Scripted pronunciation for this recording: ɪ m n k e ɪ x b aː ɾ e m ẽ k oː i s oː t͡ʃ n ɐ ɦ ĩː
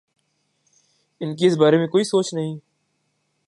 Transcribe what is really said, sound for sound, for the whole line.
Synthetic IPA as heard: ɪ n k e ɪ s b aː ɾ e m ẽ k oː i s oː t͡ʃ n ɐ ɦ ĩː